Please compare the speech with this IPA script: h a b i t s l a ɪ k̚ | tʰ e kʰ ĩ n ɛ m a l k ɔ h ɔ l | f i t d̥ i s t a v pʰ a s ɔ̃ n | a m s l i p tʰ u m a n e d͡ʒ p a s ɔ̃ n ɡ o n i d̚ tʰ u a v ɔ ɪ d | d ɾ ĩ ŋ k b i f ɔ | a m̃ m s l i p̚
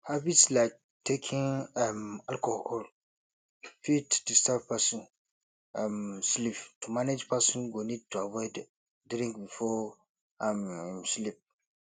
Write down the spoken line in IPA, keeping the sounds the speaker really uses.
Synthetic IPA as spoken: h a b i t s l a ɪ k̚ | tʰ e kʰ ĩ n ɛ m a l k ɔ h ɔ l | f i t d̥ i s t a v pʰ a s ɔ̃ n | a m s l i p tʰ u m a n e d͡ʒ p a s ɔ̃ n ɡ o n i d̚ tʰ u a v ɔ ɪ d | d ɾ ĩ ŋ k b i f ɔ | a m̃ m s l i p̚

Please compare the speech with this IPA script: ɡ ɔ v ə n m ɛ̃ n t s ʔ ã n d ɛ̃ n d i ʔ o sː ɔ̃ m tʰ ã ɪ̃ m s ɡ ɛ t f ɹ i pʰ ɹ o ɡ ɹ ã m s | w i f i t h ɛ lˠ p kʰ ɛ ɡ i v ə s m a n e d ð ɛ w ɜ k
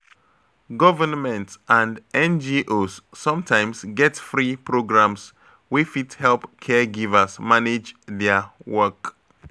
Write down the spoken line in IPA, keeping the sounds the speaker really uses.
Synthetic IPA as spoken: ɡ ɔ v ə n m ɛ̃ n t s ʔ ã n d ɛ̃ n d͡ʒ i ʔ o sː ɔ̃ m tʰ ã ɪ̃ m s ɡ ɛ t f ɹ i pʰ ɹ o ɡ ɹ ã m s | w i f i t h ɛ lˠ p kʰ ɛ ɡ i v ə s m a n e d͡ʒ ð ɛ w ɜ k

